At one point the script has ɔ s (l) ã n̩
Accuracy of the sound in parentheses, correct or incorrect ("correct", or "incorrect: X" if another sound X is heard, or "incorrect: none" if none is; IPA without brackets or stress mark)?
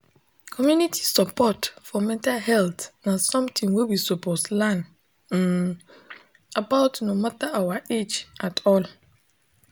correct